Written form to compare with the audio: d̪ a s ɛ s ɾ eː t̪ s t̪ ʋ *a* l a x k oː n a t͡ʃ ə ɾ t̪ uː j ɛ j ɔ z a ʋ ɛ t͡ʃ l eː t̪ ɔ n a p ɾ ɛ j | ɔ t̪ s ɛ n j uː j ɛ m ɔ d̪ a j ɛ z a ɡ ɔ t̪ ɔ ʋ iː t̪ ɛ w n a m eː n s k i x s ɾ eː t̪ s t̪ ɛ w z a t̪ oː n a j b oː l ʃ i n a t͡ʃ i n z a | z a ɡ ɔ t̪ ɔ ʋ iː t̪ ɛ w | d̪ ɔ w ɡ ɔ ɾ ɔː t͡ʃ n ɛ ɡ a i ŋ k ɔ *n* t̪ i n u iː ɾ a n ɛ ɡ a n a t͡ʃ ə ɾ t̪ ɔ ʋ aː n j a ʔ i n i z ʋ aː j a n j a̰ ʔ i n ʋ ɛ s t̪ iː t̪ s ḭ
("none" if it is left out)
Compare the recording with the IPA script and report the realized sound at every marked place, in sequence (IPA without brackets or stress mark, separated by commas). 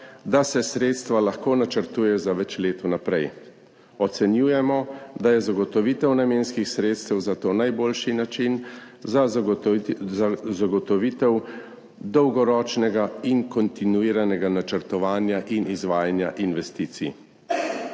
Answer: a, n